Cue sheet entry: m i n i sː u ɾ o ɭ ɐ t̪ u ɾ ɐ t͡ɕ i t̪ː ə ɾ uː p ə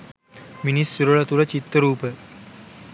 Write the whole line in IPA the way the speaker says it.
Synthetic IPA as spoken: m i n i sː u ɾ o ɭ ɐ t̪ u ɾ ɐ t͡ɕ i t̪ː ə ɾ uː p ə